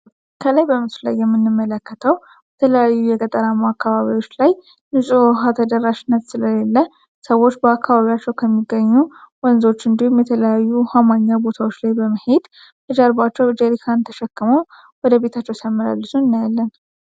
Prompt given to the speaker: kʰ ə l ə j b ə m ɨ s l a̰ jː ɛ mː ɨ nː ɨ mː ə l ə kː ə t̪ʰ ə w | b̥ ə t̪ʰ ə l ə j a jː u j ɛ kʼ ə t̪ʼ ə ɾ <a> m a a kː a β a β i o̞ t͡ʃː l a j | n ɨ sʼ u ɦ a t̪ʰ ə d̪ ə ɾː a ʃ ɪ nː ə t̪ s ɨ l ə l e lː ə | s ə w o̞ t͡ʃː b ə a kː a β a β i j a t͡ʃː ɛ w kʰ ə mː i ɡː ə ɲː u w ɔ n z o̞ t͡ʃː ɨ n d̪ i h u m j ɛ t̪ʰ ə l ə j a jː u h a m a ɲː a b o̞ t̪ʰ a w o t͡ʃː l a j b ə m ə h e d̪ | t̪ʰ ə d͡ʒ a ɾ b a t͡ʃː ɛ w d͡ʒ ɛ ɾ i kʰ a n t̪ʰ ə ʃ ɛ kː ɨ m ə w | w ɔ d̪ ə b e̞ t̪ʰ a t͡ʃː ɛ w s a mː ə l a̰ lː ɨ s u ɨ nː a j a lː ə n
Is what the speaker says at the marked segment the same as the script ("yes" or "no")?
yes